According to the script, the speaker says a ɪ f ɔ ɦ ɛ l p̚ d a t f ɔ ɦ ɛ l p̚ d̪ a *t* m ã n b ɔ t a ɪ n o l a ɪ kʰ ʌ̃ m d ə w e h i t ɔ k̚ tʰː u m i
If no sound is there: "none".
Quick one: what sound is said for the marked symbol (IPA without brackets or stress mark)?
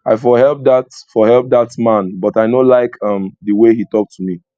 t